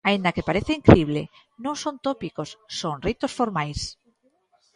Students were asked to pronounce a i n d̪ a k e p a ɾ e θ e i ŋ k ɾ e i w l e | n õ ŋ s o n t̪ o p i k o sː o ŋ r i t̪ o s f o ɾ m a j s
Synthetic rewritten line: a i n d̪ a k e p a ɾ e θ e i ŋ k ɾ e i β l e | n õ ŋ s o n t̪ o p i k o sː o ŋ r i t̪ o s f o ɾ m a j s